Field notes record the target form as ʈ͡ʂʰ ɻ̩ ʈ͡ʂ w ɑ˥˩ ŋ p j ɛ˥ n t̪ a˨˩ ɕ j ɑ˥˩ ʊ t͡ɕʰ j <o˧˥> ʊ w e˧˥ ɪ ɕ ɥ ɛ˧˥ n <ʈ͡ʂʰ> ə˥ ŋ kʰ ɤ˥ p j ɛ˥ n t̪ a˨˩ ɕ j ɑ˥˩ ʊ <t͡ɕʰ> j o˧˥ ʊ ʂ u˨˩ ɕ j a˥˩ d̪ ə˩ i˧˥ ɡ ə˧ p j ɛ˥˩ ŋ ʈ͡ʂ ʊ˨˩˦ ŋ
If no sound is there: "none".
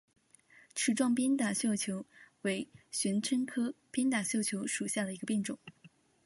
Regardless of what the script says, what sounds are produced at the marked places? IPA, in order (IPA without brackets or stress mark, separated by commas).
o˧˥, ʈ͡ʂʰ, t͡ɕʰ